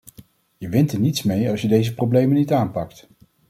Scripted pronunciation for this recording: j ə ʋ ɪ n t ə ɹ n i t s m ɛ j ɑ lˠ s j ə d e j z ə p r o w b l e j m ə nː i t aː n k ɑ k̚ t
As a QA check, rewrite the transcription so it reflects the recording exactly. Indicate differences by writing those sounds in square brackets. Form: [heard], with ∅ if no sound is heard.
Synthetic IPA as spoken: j ə ʋ ɪ n t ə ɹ n i t s m [e] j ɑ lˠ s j ə d e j z ə p r o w b l e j m ə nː i t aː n [p] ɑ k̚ t